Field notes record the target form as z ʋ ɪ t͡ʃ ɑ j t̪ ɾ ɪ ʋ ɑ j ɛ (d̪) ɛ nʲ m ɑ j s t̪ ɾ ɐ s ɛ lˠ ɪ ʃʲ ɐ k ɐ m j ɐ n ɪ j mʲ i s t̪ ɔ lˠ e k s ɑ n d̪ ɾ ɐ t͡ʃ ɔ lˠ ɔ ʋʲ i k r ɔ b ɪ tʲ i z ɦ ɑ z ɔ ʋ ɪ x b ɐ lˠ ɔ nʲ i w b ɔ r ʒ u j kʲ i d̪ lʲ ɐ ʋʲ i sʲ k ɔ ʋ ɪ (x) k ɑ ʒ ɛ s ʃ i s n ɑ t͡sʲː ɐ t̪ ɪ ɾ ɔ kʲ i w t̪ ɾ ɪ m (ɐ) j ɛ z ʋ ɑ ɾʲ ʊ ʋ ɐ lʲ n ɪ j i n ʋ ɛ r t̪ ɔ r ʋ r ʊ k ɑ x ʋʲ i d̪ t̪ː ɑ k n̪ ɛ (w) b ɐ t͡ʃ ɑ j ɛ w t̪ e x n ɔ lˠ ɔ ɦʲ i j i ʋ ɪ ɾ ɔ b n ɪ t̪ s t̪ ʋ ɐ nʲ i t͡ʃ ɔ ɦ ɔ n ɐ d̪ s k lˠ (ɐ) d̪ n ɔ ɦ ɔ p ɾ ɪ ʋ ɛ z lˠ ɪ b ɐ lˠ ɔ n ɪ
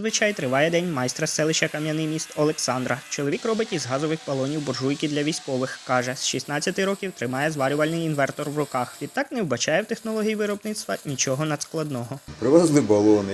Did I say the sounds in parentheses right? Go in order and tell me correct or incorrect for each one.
correct, correct, incorrect: ɑ, correct, correct

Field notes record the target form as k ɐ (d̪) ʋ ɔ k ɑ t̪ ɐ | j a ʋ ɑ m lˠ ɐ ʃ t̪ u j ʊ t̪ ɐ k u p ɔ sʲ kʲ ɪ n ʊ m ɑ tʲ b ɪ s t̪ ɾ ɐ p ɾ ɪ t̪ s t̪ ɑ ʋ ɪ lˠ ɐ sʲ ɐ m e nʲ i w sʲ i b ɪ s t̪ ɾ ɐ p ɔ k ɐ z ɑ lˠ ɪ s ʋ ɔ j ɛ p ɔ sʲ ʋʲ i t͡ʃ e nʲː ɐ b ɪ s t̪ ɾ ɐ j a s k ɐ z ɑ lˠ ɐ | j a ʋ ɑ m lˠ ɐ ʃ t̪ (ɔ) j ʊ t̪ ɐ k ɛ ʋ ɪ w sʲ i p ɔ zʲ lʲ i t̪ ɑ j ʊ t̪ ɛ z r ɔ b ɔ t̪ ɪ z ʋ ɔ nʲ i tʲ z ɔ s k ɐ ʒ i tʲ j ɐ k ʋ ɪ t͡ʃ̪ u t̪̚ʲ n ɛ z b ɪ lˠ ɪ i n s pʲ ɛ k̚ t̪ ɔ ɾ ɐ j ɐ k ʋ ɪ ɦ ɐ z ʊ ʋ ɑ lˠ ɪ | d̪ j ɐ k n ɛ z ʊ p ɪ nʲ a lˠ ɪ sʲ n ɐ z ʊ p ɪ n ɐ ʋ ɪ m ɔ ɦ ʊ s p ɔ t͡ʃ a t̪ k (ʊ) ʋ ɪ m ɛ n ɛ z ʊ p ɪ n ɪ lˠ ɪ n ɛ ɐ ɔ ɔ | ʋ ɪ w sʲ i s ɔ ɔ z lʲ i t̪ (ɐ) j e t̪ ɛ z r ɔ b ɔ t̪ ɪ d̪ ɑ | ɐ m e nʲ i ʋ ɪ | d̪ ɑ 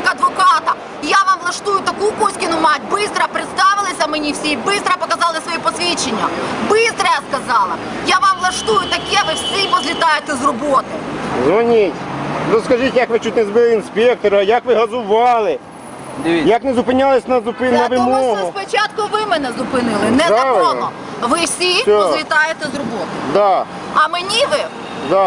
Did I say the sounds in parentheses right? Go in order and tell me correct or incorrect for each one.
correct, incorrect: u, correct, incorrect: ɑ

